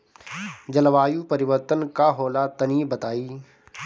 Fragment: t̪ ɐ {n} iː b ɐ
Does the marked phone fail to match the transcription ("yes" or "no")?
no